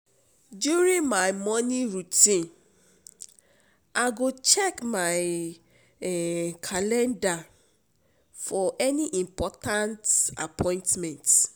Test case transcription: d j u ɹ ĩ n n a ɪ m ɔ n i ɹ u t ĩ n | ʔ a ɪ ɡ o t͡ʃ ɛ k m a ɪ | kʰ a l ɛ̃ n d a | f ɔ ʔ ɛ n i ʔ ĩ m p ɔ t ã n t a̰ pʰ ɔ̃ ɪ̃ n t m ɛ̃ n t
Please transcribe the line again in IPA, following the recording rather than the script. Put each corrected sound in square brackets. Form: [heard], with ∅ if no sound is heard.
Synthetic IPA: d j u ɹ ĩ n [m] a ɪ m ɔ n i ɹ u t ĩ n | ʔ a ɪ ɡ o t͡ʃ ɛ k m a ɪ | kʰ a l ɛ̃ n d a | f ɔ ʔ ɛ n i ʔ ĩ m p ɔ t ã n t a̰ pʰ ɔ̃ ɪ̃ n t m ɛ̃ n t